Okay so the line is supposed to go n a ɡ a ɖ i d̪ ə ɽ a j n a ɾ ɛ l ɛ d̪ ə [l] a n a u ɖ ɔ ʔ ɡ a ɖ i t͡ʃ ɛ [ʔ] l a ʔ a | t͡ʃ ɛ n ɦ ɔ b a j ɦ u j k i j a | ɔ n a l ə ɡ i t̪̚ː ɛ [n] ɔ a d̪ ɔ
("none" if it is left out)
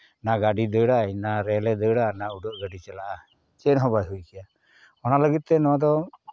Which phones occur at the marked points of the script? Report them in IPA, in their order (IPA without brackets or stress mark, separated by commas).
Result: ɽ, none, n